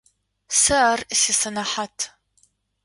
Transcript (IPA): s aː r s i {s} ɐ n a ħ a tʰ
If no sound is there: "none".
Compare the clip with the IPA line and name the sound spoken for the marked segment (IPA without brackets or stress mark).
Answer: s